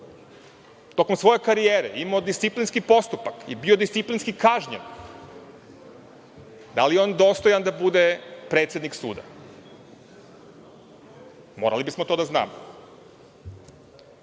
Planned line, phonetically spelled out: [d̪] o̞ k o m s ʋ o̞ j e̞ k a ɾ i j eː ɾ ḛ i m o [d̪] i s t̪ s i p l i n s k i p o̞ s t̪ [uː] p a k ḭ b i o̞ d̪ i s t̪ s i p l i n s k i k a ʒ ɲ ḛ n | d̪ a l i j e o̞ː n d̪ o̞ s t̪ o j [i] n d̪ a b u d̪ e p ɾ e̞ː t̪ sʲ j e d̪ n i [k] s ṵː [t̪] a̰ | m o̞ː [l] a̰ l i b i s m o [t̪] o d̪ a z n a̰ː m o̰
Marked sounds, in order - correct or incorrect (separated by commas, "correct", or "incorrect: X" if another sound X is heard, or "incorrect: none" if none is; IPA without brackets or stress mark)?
incorrect: t̪, correct, incorrect: u, incorrect: a, correct, incorrect: d̪, incorrect: ɾ, correct